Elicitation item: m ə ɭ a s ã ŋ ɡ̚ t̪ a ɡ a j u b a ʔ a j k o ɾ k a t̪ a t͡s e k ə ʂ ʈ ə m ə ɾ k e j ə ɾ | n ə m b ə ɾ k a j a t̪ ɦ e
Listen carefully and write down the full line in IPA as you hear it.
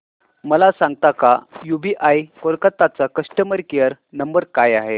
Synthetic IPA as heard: m ə l a s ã ŋ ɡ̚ t̪ a k a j u b i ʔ a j k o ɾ k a t̪ a t͡s a k ə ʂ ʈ ə m ə ɾ k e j ə ɾ | n ə m b ə ɾ k a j a ɦ e